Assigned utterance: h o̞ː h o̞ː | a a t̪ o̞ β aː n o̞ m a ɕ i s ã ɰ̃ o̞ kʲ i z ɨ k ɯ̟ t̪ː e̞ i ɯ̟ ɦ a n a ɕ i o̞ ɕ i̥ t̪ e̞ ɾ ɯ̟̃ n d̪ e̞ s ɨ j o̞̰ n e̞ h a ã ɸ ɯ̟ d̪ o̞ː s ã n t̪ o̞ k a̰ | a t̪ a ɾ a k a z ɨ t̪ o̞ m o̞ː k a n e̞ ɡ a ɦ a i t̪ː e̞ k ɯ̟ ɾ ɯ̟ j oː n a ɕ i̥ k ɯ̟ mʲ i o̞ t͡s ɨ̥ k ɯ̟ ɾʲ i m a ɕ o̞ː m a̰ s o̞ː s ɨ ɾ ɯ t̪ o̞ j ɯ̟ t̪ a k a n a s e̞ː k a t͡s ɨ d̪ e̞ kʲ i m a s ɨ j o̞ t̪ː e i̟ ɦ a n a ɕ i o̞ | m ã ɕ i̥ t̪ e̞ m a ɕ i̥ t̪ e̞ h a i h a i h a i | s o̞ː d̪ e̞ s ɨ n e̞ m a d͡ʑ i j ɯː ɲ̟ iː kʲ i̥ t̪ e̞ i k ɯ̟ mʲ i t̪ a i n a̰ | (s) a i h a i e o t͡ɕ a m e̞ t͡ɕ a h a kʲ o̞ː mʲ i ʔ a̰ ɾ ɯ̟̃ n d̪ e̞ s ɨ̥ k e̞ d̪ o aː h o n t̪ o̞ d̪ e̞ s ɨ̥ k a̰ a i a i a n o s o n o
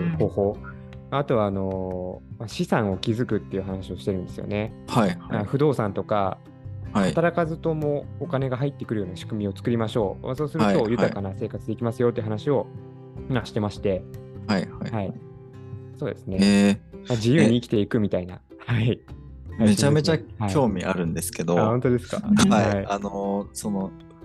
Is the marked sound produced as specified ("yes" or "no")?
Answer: no